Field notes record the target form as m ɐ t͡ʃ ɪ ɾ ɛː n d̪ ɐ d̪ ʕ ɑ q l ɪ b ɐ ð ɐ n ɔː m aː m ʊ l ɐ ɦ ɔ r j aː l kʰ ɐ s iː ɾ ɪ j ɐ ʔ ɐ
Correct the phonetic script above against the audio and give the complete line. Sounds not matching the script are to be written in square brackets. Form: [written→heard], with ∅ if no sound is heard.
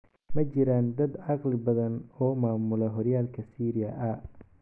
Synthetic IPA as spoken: m ɐ t͡ʃ ɪ ɾ [ɛː→aː] n d̪ ɐ d̪ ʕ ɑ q l ɪ b ɐ ð ɐ n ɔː m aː m ʊ l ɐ ɦ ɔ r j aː l kʰ ɐ s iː ɾ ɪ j ɐ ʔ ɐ